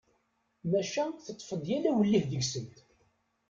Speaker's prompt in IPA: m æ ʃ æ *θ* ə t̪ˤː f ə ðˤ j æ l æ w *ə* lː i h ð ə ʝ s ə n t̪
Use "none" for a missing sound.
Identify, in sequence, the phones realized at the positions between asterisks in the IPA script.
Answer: θ, ə

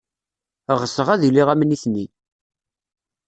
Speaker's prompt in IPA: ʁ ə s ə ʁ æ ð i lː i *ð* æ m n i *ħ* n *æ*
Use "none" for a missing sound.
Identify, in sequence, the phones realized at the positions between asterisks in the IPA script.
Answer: ʁ, θ, i

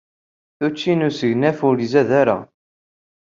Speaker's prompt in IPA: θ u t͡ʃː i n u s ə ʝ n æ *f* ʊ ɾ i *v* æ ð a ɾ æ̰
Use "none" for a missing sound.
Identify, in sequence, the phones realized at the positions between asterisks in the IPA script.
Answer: f, z

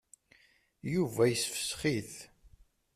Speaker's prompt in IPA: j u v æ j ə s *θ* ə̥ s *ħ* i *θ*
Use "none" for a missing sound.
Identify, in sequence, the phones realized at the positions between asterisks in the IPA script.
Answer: f, χ, θ

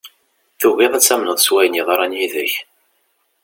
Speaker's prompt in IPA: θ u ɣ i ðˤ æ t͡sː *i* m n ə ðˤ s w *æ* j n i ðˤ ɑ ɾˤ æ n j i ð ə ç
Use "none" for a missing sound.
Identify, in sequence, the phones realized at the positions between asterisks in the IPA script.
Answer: æ, æ

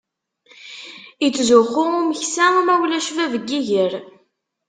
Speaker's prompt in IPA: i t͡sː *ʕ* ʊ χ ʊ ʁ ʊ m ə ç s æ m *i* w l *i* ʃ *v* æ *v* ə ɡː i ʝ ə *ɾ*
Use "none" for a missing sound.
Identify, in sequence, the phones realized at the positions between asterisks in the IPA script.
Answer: z, æ, æ, v, v, ɾ

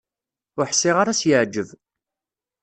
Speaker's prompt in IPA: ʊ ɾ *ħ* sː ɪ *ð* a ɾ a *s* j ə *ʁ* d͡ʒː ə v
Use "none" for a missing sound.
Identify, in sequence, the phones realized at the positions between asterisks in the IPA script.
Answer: ħ, ʁ, s, ʕ

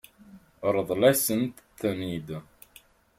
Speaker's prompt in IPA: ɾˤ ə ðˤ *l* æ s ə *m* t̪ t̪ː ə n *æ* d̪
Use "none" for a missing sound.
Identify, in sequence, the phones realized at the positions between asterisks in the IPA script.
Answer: l, n, i

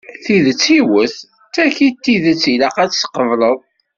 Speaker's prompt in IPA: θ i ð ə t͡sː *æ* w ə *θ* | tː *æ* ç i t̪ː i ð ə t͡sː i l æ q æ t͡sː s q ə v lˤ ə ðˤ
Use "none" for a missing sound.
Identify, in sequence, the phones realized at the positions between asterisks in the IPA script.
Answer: i, θ, æ

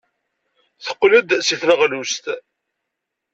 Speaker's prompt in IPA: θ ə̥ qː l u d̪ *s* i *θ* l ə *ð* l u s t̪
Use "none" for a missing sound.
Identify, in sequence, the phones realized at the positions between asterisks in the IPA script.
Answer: s, θ, ʁ

